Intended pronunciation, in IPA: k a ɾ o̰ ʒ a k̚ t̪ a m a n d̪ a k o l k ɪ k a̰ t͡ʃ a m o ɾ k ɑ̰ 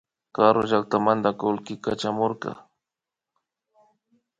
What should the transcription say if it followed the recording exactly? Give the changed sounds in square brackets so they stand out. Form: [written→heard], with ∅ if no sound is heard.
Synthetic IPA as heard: k a ɾ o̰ ʒ a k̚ t̪ a m a n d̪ a k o l k ɪ k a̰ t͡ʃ a m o ɾ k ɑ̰